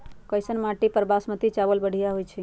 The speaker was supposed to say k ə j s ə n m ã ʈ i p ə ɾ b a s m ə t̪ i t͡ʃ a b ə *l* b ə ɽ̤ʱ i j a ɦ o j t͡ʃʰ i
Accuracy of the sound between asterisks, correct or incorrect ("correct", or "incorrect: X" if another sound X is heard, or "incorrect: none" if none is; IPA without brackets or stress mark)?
correct